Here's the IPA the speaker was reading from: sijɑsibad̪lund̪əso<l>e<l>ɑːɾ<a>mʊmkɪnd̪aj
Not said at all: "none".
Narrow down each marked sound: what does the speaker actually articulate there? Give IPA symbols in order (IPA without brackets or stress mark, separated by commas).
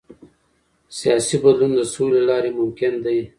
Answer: l, l, e